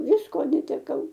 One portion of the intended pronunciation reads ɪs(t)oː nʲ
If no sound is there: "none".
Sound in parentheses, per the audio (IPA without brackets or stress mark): k